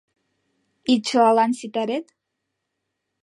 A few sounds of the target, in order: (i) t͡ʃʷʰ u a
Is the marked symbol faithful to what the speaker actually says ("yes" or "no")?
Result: yes